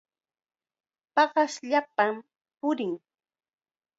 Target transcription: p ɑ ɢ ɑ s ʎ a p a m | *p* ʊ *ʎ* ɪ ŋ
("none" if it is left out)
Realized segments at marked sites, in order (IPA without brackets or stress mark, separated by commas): p, ɾ